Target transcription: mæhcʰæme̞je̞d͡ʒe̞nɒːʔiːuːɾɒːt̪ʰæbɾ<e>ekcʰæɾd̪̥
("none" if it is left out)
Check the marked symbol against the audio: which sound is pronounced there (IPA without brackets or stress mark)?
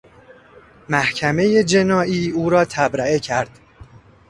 æ